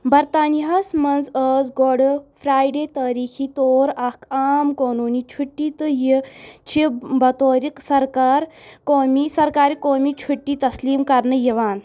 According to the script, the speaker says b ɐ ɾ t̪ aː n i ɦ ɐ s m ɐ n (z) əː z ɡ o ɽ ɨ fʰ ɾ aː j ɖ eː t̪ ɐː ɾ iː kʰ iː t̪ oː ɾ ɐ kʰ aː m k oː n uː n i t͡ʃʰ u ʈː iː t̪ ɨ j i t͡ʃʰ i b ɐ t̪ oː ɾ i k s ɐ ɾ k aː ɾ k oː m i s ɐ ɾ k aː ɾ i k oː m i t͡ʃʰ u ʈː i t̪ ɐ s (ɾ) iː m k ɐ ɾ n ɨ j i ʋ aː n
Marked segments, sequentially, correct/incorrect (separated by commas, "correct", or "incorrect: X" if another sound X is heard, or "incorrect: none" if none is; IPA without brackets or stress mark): correct, incorrect: l